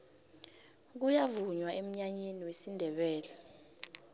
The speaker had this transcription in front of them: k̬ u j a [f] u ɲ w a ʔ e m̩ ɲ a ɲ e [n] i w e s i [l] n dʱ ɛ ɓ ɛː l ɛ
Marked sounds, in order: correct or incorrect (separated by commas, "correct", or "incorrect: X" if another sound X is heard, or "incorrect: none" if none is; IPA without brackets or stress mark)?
incorrect: v, correct, incorrect: none